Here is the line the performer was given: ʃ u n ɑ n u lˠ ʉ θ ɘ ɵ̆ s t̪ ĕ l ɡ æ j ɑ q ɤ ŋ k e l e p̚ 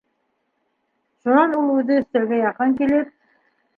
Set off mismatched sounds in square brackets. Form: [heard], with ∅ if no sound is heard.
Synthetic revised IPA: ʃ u n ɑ n u lˠ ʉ [ð] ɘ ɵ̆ s t̪ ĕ l ɡ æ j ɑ q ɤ ŋ k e l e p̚